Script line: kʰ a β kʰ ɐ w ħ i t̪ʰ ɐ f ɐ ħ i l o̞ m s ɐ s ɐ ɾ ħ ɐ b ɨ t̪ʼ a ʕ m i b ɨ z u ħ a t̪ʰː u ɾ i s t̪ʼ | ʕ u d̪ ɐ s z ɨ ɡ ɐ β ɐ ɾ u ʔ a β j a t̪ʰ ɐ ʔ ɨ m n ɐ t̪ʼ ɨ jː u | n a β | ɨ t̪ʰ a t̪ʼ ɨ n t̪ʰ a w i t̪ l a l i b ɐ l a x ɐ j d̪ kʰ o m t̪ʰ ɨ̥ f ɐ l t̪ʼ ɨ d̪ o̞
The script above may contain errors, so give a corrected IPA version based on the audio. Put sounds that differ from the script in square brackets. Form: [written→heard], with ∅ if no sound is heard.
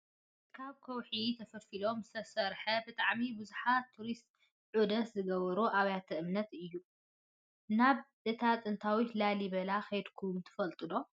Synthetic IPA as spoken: kʰ a β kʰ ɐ w ħ i t̪ʰ ɐ f ɐ [ħ→f] i l o̞ m s ɐ s ɐ ɾ ħ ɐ b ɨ t̪ʼ a ʕ m i b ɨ z u ħ a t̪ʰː u ɾ i s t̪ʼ | ʕ u d̪ ɐ s z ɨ ɡ ɐ β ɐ ɾ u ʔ a β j a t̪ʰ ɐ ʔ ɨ m n ɐ [t̪ʼ→t̪] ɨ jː u | n a β | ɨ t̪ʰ a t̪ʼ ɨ n t̪ʰ a w i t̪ l a l i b ɐ l a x ɐ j d̪ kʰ [o→u] m t̪ʰ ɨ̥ f ɐ l t̪ʼ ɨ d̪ o̞